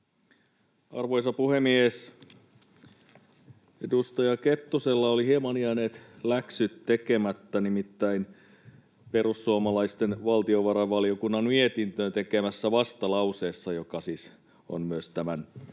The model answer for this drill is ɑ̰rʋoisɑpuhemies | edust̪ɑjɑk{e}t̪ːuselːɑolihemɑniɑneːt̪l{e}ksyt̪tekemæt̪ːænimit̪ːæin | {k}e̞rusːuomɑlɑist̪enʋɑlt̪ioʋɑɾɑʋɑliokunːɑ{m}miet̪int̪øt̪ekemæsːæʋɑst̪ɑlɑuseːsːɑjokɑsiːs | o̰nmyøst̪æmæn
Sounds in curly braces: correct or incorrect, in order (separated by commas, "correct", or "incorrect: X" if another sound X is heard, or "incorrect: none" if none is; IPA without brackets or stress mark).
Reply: correct, incorrect: æ, incorrect: p, incorrect: n